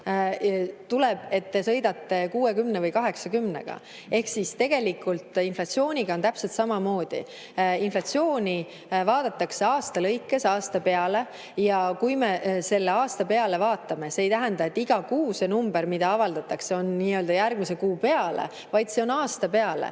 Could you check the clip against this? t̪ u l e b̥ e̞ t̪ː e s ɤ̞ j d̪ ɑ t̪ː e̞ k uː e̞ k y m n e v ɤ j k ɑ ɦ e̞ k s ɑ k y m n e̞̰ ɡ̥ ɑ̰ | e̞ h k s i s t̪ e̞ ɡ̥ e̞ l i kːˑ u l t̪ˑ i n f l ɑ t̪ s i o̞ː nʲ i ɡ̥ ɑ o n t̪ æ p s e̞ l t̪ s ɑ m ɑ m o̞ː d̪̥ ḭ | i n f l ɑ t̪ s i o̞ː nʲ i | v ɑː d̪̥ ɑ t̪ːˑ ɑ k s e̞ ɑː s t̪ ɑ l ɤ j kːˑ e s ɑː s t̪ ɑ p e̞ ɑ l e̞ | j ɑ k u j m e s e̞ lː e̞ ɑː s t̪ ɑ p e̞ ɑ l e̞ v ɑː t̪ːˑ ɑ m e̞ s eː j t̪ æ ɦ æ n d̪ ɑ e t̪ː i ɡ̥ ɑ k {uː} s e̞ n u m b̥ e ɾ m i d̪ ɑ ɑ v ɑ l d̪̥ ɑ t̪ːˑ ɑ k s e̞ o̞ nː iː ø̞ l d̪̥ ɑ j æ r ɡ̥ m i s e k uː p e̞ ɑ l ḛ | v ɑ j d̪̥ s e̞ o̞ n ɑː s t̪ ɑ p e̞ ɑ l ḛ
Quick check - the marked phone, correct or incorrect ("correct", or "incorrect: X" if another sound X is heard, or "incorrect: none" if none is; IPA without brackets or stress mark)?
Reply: correct